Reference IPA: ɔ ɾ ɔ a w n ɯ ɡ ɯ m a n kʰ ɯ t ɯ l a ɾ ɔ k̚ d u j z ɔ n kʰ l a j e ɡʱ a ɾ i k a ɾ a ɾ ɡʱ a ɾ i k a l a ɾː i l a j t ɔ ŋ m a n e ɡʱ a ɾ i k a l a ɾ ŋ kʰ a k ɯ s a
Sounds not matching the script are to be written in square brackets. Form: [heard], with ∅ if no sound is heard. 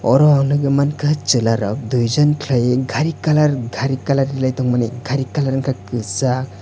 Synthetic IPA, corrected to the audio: ɔ ɾ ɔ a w n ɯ ɡ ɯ m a n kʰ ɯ [t͡ʃ] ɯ l a ɾ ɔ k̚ d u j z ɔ n kʰ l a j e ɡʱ a ɾ i k a [l] a ɾ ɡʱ a ɾ i k a l a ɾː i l a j t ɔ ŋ m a n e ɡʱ a ɾ i k a l a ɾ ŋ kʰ a k ɯ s a